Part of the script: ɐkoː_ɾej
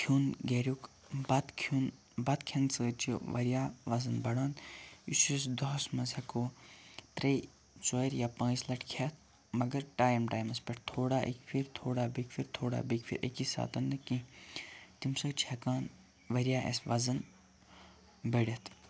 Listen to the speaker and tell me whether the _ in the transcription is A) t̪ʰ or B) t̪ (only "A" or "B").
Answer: B